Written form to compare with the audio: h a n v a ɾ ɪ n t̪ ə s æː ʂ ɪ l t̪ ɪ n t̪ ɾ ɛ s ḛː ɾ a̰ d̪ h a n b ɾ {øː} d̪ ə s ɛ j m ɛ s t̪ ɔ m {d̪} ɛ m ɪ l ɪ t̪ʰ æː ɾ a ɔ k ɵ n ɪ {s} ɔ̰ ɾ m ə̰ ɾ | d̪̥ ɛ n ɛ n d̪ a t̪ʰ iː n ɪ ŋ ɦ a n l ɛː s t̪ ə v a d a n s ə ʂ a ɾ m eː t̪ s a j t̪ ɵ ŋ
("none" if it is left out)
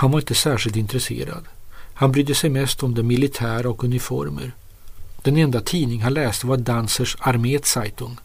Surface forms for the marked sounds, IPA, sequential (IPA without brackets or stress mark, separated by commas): yː, d̪, f